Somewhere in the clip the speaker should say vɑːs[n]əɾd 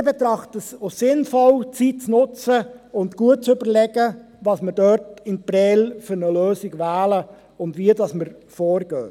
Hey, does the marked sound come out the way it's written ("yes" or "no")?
no